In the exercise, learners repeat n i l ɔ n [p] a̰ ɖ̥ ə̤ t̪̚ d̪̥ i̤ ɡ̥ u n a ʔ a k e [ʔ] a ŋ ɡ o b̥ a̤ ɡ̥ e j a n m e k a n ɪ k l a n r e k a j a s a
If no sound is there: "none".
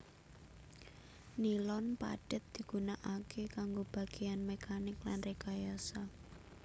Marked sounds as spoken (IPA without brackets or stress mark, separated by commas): p, k